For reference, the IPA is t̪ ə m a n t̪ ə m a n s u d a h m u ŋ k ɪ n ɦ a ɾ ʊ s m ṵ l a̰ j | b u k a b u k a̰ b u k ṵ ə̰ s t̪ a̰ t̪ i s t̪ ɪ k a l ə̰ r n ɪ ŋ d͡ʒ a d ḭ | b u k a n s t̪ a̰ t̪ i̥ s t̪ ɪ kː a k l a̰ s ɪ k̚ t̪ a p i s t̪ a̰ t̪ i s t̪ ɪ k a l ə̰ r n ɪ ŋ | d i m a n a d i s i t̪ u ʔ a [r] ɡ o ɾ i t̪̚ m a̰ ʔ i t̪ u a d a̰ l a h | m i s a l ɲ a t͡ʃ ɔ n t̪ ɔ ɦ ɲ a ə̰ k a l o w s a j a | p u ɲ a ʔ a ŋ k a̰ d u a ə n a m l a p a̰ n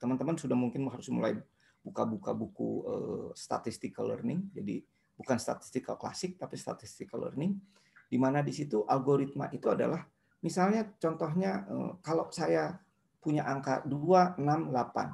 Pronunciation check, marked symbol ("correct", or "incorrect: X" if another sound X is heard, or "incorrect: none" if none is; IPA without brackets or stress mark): incorrect: l